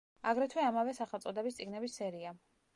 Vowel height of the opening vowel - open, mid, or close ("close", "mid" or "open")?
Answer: open